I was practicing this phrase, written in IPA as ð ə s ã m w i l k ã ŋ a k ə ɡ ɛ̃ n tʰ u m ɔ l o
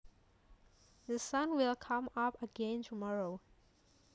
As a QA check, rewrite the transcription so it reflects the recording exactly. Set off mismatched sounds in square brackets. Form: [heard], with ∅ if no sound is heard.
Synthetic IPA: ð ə s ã [n] w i l [kʰ] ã [m] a [p] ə ɡ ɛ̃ n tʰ u m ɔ [ɹ] o